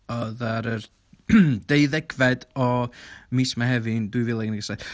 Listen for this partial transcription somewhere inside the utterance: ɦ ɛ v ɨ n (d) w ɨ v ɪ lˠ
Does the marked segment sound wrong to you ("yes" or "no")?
no